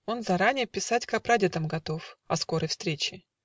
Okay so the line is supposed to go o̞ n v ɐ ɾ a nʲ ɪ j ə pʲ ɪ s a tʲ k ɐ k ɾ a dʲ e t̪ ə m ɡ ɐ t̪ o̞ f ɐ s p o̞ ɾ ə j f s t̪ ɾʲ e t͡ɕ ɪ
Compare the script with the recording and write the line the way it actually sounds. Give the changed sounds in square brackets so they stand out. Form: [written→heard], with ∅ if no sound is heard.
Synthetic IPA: o̞ n [v→z] ɐ ɾ a nʲ ɪ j ə pʲ ɪ s a tʲ k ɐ [k→p] ɾ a dʲ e t̪ ə m ɡ ɐ t̪ o̞ f ɐ s [p→k] o̞ ɾ ə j f s t̪ ɾʲ e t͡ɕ ɪ